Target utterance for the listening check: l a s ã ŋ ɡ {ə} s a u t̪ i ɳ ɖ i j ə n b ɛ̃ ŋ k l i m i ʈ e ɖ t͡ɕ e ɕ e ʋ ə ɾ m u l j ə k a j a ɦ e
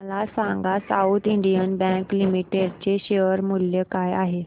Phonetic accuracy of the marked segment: incorrect: a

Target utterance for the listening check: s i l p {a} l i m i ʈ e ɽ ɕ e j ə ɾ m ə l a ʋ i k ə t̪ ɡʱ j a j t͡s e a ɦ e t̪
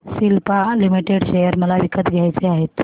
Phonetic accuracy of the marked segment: correct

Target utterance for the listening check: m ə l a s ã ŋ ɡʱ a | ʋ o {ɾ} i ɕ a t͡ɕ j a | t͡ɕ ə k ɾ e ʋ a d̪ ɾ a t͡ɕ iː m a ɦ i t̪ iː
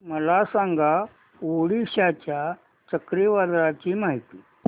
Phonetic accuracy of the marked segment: incorrect: ɽ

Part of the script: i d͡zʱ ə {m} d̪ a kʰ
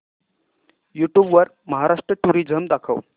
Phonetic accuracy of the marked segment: correct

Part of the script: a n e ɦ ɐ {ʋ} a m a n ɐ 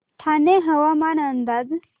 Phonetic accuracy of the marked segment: incorrect: w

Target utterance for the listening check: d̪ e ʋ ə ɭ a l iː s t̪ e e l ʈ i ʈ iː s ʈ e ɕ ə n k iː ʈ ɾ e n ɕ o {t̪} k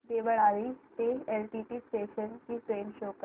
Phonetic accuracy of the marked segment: incorrect: none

